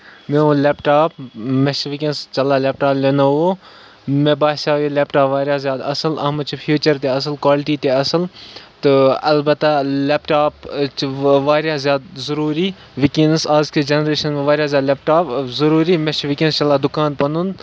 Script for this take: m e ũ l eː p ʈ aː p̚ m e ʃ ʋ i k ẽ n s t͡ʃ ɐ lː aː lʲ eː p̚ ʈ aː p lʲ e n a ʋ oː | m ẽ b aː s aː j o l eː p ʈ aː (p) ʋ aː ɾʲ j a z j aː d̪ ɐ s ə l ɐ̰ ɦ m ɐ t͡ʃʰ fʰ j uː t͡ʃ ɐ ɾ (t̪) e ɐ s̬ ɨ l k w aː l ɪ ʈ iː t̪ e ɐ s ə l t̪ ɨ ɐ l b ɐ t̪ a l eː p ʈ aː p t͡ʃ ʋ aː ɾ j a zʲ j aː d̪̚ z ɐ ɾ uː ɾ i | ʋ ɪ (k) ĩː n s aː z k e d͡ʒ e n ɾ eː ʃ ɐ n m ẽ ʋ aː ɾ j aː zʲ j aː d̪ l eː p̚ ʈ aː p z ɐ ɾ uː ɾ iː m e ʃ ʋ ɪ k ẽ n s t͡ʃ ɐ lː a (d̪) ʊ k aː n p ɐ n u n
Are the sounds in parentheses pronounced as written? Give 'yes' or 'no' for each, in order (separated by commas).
yes, yes, yes, yes